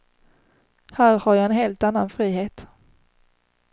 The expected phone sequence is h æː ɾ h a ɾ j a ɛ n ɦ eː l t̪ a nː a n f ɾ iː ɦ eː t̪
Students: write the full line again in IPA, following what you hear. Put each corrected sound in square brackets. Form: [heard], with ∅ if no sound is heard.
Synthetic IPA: h æː ɾ h a ɾ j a ɛ n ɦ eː l t̪ a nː a n f ɾ iː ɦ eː t̪